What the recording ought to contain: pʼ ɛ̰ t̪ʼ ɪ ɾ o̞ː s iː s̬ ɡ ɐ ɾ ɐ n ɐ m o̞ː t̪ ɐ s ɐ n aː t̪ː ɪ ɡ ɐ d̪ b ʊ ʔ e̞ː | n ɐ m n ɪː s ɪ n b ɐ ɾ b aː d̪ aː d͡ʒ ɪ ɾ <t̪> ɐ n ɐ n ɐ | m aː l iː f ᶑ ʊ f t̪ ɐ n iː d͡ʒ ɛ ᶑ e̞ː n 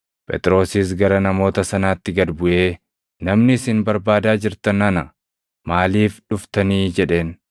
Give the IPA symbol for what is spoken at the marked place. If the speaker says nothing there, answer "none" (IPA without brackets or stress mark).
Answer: t̪